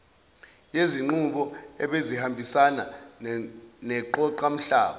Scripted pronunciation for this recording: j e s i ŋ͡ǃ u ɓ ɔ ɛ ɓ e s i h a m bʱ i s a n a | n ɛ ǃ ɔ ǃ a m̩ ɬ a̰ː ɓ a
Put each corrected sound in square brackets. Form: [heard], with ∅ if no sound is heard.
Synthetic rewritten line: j e [z] i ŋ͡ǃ u ɓ ɔ ɛ ɓ e [z] i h a m bʱ i s a n a | n ɛ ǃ ɔ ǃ a m̩ ɬ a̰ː ɓ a